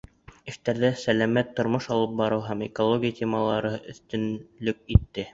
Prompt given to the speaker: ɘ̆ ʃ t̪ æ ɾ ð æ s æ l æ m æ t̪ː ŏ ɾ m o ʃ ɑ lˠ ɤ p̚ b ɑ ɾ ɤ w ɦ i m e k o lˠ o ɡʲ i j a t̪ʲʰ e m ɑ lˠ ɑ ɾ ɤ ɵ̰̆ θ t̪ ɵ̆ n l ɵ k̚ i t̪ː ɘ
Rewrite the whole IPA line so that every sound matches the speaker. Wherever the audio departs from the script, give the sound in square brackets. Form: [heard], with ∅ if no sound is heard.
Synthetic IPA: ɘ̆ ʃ t̪ æ ɾ ð æ s æ l æ m æ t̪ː ŏ ɾ m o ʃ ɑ lˠ ɤ p̚ b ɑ ɾ ɤ w ɦ [æ] m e k o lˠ o ɡʲ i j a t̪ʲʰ e m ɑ lˠ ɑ ɾ ɤ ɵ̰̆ θ t̪ ɵ̆ n l ɵ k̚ i t̪ː ɘ